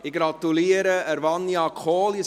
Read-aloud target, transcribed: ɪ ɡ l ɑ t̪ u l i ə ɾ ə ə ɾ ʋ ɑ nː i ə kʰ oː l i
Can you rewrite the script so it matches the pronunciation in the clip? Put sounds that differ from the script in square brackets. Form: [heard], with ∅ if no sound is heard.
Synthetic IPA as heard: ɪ ɡ [ɾ] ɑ t̪ u l i ə ɾ ə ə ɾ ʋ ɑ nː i [ɑ] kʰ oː l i